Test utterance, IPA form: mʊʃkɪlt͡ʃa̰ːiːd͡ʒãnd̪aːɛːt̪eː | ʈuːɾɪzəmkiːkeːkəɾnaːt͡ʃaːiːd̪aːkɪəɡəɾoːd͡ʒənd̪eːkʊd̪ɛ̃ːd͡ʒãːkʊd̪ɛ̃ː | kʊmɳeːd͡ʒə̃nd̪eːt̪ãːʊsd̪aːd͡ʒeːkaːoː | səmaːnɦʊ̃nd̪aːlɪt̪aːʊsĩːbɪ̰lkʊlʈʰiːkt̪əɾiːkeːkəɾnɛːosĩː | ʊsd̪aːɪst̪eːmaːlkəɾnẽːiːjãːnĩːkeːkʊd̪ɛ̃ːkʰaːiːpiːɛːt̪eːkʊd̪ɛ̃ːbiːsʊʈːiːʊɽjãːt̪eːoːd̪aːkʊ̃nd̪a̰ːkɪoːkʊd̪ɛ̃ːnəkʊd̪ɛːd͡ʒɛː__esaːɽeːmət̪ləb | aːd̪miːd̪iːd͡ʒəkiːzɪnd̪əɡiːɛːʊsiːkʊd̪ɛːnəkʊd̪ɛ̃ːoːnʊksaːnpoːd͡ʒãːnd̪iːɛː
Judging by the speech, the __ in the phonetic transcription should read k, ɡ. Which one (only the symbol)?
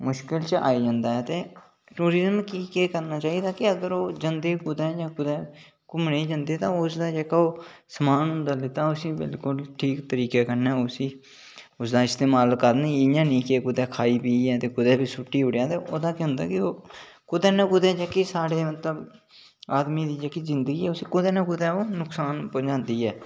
k